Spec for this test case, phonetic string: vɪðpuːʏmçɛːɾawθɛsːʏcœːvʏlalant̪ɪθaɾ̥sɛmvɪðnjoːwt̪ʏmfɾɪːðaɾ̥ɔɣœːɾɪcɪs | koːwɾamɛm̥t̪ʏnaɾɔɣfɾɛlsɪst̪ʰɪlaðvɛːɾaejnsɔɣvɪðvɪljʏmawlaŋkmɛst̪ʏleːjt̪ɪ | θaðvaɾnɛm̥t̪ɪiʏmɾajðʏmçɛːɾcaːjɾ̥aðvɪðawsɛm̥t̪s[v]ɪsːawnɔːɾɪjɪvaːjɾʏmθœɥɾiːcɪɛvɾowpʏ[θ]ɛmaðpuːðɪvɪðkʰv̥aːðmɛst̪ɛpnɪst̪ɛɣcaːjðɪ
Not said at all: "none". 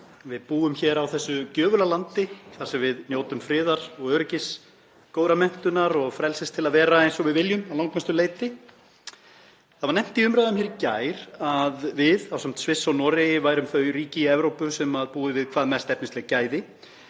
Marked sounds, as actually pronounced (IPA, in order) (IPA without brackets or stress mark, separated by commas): v, s